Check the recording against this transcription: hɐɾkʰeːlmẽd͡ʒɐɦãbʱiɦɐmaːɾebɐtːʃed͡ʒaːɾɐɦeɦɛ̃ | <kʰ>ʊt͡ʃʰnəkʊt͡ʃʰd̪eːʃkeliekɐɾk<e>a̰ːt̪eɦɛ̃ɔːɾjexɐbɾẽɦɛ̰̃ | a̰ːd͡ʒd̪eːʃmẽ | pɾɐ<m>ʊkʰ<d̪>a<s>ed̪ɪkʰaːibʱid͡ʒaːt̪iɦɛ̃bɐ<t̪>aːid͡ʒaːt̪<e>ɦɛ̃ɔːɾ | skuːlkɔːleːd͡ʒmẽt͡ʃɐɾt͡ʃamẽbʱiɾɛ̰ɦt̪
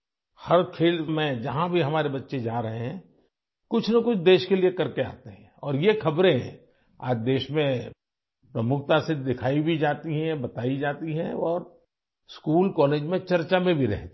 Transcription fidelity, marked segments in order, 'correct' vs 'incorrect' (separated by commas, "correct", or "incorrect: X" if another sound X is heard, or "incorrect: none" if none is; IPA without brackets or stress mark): incorrect: k, correct, correct, incorrect: t̪, correct, correct, incorrect: i